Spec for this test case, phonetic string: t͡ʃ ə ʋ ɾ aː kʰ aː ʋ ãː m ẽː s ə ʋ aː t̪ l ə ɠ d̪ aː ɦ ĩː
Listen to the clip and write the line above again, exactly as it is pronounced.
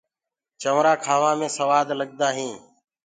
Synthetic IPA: t͡ʃ ə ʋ ɾ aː kʰ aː ʋ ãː m ẽː s ə ʋ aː d̪ l ə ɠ d̪ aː ɦ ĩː